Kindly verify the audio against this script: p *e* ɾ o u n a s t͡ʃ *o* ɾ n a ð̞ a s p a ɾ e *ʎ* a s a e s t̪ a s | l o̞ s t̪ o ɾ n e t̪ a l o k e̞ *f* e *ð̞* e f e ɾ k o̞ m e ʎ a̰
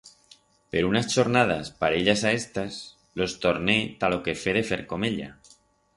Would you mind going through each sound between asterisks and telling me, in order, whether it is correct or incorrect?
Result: correct, correct, correct, correct, correct

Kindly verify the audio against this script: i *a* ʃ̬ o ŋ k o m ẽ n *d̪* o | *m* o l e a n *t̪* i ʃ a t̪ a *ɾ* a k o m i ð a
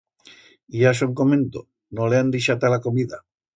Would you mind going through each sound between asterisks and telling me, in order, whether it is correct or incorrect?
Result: correct, incorrect: t̪, incorrect: n, incorrect: d̪, incorrect: l

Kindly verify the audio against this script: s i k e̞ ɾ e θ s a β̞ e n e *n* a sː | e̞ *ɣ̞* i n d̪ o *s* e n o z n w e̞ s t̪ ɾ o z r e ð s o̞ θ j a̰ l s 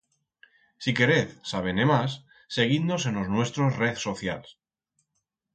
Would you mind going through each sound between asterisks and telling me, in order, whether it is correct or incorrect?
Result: incorrect: m, correct, correct

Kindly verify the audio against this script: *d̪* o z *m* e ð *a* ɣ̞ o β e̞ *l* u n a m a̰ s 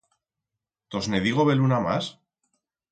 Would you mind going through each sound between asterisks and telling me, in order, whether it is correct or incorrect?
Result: incorrect: t̪, incorrect: n, incorrect: i, correct

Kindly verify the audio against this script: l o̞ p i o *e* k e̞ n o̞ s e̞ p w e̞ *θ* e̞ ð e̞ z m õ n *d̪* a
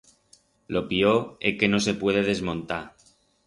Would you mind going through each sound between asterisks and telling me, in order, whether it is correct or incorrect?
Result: correct, incorrect: ð, incorrect: t̪

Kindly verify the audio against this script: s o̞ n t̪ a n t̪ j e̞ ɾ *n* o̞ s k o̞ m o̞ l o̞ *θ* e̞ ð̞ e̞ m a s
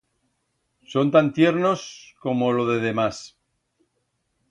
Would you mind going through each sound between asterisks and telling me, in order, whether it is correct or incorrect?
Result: correct, incorrect: ð

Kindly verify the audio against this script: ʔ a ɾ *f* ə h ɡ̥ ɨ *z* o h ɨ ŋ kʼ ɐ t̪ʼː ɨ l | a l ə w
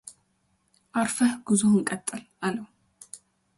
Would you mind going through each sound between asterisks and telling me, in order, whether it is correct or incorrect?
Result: correct, correct

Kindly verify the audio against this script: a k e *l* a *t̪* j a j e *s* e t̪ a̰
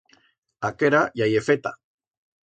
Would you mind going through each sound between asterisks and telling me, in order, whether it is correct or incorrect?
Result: incorrect: ɾ, incorrect: none, incorrect: f

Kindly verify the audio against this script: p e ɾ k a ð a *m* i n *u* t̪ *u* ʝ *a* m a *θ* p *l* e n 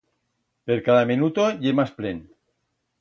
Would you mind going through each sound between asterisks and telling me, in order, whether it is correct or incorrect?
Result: correct, correct, incorrect: o, incorrect: e, incorrect: s, correct

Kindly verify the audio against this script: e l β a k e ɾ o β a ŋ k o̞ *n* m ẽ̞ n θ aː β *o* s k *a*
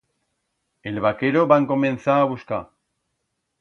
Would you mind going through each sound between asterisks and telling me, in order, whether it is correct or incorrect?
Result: incorrect: none, incorrect: u, correct

